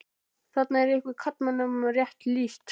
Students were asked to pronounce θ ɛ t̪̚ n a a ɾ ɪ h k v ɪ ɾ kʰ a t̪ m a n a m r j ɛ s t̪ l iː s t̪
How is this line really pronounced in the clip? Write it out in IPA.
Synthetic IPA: θ a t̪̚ n a ɛ ɾ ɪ h k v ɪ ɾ kʰ a t̪ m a n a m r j ɛ h t̪ l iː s t̪